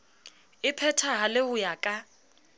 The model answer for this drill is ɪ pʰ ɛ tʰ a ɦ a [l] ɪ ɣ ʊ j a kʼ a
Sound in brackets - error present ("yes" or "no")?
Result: no